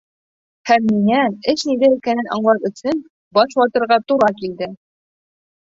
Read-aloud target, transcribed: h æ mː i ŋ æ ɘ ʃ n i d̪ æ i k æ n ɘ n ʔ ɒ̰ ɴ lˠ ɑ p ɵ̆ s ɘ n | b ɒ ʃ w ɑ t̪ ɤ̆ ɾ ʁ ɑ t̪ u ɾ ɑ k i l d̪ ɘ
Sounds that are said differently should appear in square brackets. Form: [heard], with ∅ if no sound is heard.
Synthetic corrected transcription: h æ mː i ŋ æ ɘ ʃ n i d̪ æ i k æ n ɘ n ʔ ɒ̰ ɴ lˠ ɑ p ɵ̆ s ɘ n | b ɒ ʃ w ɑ t̪ ɤ̆ ɾ ʁ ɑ t̪ u ɾ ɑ k i l d̪ ɘ